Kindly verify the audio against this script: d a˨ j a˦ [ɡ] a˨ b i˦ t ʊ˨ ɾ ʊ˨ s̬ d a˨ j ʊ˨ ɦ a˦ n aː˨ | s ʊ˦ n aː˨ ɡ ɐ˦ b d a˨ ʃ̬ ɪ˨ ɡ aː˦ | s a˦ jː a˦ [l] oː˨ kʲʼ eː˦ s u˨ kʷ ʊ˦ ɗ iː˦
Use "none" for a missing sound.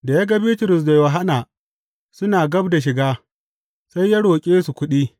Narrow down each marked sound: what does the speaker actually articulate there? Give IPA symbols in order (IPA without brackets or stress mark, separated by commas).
ɡ, ɽ